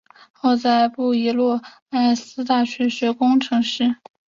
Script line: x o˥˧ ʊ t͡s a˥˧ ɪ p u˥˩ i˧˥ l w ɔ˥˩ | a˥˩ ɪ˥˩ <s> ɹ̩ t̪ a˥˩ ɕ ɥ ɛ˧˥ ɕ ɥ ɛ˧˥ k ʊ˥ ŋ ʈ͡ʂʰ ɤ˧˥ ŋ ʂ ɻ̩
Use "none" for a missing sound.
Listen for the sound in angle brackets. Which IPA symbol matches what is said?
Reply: s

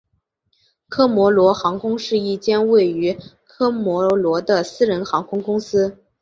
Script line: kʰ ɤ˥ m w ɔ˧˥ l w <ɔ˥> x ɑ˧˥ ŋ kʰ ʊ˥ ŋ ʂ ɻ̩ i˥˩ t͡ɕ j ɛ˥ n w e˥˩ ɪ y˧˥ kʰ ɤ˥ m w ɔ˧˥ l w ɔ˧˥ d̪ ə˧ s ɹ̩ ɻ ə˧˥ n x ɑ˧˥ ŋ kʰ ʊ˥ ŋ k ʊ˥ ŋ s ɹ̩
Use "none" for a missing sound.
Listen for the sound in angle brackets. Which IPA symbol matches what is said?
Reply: ɔ˧˥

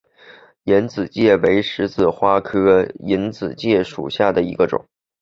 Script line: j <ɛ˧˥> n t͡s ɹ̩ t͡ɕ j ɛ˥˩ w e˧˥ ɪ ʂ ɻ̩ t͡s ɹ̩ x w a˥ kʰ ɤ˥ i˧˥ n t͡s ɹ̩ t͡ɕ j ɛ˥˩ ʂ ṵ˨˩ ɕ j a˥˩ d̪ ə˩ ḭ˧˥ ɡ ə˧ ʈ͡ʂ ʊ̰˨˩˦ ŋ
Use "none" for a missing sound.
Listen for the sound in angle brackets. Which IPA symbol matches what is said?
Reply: ɛ˧˥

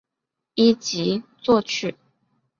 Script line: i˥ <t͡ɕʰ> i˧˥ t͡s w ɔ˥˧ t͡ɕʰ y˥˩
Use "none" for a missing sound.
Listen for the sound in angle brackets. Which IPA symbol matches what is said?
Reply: t͡ɕ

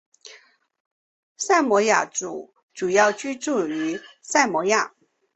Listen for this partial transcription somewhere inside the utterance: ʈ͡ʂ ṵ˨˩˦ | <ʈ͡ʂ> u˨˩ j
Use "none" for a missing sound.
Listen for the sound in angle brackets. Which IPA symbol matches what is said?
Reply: ʈ͡ʂ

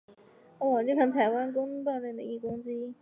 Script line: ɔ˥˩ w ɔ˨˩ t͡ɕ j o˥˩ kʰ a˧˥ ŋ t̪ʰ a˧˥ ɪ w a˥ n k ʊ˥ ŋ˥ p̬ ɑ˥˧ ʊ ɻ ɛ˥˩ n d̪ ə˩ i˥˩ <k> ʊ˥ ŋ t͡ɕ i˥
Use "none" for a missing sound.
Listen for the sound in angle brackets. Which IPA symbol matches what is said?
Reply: k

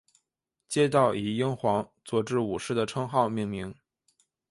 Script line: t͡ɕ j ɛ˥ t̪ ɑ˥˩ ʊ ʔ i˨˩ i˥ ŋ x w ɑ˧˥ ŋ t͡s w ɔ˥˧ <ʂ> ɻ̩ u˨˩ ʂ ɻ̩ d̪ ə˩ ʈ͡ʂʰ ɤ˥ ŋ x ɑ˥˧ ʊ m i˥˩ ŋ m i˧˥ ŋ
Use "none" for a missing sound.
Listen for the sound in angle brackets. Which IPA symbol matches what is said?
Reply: ʈ͡ʂ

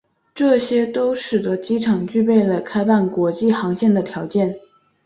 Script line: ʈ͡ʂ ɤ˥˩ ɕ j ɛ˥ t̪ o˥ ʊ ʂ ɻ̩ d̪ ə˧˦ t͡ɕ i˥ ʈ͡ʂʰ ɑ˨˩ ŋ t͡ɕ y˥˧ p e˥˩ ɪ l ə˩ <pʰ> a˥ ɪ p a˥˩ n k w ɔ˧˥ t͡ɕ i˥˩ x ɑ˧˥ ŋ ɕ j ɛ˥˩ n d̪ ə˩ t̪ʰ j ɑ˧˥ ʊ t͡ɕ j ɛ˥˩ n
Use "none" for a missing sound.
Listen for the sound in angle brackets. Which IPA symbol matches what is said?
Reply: kʰ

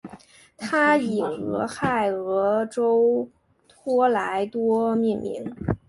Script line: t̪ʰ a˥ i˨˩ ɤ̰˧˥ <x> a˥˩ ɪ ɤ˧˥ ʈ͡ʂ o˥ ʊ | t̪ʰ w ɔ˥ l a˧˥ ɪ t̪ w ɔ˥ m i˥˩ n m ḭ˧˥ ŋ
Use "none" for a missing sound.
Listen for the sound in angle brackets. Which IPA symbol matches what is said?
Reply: x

